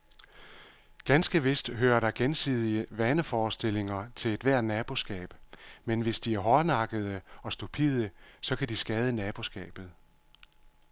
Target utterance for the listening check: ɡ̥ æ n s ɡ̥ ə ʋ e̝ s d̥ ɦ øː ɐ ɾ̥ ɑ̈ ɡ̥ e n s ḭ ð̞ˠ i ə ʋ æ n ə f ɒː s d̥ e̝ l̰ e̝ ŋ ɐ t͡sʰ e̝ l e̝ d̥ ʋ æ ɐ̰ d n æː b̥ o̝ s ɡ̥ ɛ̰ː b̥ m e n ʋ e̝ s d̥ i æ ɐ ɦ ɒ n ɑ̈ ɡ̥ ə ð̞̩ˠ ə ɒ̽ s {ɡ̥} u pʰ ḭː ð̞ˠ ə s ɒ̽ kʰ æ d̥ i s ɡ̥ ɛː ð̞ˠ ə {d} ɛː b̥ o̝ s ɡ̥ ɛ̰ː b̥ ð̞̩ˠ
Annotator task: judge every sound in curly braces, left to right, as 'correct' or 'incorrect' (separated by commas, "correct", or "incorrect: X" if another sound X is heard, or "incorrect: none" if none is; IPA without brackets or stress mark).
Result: incorrect: d̥, incorrect: n